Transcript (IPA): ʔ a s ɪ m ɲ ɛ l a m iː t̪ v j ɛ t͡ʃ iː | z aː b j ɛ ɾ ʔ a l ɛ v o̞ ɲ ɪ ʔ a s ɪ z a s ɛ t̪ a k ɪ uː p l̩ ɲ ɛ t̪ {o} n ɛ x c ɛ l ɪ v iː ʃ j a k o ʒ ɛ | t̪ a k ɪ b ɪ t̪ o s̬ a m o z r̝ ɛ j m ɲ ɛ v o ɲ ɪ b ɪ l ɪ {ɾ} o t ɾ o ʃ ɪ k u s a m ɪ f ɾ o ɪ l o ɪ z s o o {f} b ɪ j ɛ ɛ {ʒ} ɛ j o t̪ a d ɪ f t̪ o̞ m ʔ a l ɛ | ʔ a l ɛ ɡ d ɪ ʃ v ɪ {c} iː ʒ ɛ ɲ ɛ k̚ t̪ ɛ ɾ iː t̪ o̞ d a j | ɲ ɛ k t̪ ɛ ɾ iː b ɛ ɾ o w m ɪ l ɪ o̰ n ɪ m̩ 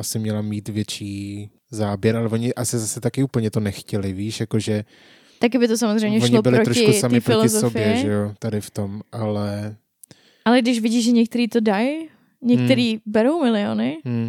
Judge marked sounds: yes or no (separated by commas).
yes, yes, yes, yes, no